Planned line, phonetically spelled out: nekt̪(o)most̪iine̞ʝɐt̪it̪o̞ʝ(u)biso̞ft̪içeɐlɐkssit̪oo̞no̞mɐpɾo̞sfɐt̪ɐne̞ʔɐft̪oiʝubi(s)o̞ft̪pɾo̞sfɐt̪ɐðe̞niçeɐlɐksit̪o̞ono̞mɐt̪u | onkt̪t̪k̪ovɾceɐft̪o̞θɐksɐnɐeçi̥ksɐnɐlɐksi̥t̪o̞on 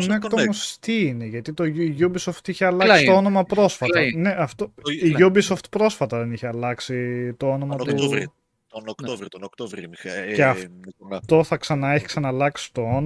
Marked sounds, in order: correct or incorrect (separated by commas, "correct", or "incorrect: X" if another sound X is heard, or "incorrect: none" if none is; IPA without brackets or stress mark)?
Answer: correct, correct, correct